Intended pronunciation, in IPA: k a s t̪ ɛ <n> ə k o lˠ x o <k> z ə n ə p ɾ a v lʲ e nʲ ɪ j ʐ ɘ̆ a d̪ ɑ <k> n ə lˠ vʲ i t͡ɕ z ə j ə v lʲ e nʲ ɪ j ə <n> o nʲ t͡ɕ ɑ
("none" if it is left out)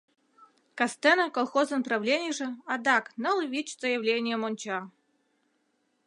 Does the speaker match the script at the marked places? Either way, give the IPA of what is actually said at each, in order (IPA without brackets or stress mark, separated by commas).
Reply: n, none, k, m